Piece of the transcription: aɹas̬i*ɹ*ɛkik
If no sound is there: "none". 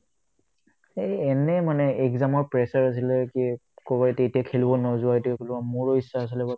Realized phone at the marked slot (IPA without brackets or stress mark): l